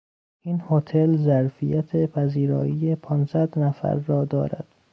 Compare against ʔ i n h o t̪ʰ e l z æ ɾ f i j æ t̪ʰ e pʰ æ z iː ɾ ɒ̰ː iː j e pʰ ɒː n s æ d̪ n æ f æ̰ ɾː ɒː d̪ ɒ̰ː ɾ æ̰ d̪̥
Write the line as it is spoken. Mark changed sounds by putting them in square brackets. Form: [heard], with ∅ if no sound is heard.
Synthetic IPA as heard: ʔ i n h o t̪ʰ e l z æ ɾ f i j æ t̪ʰ e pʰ æ z iː ɾ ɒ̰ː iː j e pʰ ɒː n s æ d̪ n æ f æ̰ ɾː ɒː d̪ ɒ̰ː ɾ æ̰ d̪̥